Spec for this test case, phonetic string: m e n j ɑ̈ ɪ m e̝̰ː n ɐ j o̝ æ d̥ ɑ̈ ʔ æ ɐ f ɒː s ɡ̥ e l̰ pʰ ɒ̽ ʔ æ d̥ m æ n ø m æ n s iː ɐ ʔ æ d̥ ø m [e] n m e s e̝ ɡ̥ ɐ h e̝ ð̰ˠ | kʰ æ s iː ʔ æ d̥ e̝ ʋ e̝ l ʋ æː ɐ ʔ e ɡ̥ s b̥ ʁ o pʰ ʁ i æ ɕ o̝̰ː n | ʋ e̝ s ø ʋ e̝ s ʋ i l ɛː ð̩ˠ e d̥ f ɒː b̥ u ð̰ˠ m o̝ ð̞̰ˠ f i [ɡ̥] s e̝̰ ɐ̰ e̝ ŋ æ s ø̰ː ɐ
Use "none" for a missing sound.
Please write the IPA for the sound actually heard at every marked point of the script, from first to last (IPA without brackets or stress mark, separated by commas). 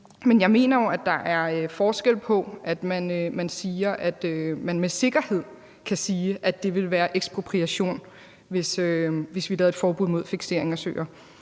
æ, ɡ̥